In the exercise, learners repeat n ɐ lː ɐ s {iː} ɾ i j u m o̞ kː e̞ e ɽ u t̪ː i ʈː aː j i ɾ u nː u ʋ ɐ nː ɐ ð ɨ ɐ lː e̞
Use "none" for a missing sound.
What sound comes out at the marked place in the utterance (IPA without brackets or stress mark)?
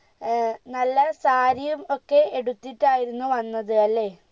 aː